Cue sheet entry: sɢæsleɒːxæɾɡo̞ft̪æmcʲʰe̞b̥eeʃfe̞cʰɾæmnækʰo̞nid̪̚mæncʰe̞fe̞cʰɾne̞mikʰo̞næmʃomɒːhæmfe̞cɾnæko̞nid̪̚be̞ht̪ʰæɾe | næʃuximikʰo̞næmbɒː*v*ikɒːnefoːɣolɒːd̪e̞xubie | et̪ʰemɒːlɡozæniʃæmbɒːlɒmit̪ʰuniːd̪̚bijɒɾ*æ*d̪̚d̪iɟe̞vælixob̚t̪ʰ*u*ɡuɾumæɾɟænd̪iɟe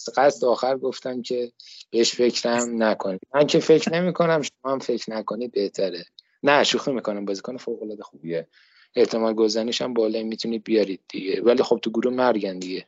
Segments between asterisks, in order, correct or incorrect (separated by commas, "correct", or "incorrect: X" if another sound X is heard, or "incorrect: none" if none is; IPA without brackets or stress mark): incorrect: z, incorrect: i, correct